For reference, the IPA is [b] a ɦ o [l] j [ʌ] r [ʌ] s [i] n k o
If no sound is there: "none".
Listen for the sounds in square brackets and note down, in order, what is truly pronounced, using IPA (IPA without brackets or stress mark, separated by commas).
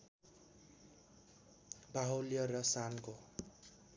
b, l, ʌ, ʌ, a